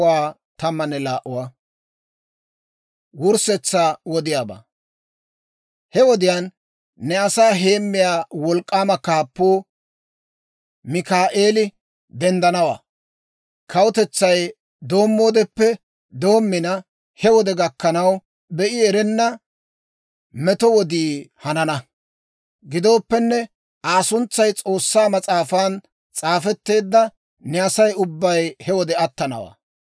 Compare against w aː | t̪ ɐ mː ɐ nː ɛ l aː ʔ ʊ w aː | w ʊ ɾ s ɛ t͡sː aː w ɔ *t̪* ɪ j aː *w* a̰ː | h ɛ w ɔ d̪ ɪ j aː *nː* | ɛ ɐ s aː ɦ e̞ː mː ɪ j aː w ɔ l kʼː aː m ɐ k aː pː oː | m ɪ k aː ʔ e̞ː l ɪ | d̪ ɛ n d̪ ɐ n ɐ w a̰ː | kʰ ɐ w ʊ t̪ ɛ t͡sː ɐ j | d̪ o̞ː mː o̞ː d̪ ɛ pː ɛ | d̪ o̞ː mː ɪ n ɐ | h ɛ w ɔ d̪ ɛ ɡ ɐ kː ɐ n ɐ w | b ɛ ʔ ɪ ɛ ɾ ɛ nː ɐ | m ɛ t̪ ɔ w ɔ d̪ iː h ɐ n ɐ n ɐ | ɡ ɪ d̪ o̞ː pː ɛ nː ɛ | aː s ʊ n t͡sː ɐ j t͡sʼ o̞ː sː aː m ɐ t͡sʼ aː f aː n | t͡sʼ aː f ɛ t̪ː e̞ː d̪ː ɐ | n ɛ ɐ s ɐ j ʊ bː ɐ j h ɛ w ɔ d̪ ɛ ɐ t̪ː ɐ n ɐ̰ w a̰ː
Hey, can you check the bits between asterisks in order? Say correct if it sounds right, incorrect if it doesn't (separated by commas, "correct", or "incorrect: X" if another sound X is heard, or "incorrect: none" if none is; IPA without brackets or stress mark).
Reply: incorrect: d̪, incorrect: b, correct